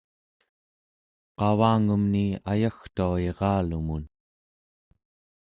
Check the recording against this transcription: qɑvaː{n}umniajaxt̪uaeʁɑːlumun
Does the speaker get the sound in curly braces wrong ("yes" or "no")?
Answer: yes